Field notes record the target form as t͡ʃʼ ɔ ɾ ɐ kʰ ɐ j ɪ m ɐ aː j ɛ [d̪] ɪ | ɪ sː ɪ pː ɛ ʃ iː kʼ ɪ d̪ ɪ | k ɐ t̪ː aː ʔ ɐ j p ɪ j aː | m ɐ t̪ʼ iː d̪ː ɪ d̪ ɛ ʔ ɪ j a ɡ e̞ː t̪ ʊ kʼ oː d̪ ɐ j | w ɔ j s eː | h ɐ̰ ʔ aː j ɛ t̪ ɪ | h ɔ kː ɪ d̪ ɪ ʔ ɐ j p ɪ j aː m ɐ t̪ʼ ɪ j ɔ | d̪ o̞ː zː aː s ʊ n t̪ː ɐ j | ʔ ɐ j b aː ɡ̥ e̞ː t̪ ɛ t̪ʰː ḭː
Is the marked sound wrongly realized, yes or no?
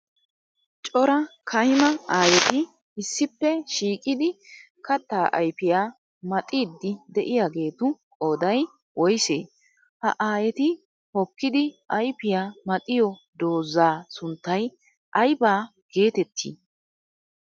yes